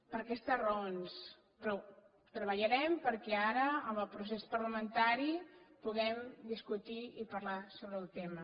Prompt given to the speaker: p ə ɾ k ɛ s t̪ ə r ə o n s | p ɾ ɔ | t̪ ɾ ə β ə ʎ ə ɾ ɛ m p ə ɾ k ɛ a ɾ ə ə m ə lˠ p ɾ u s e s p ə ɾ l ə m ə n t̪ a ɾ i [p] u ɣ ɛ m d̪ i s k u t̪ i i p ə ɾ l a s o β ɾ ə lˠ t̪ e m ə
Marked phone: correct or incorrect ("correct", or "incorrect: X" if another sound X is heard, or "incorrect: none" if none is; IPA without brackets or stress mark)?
correct